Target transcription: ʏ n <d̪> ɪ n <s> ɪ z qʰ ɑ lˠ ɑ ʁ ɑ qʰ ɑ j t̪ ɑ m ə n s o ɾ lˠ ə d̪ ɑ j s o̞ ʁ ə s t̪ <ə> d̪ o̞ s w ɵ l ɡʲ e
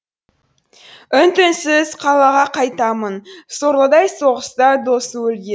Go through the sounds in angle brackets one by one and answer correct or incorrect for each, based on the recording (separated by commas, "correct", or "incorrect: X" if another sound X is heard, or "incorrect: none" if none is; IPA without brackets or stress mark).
incorrect: t̪, correct, incorrect: ɑ